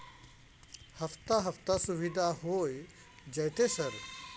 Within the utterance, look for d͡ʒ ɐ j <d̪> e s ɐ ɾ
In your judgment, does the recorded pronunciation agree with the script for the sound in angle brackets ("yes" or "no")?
no